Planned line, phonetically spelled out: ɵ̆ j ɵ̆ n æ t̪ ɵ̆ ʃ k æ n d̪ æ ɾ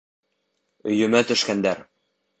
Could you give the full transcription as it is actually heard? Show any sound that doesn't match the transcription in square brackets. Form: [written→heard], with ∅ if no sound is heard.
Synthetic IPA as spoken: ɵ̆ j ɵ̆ [n→m] æ t̪ ɵ̆ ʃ k æ n d̪ æ ɾ